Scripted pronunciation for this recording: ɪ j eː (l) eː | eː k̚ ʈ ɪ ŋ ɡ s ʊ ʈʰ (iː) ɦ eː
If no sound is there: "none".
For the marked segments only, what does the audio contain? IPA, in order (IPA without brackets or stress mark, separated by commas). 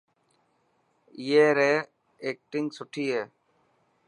ɾ, iː